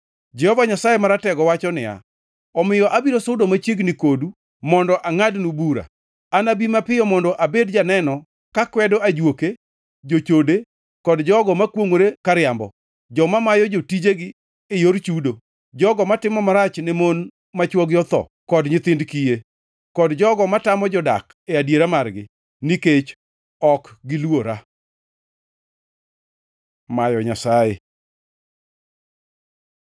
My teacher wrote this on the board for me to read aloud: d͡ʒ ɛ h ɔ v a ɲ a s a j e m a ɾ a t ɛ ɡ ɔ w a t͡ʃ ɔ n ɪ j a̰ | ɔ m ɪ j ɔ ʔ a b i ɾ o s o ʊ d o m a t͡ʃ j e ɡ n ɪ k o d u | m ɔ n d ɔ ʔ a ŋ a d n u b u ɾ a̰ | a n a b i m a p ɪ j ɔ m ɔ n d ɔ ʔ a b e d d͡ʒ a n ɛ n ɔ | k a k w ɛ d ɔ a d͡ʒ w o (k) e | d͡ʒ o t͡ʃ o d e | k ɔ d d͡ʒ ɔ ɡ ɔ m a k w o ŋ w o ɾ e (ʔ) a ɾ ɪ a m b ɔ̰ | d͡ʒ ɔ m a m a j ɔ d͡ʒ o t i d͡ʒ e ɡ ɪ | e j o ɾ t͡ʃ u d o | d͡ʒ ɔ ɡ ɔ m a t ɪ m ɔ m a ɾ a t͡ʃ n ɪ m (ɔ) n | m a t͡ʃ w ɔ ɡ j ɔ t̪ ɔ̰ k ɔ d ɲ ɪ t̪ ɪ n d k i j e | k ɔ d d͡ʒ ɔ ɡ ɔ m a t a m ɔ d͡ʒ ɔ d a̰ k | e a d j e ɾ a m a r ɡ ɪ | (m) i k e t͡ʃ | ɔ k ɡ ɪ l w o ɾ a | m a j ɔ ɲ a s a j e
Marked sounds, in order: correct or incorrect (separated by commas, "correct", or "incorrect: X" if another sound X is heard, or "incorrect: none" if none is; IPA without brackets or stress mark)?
correct, incorrect: k, incorrect: o, incorrect: n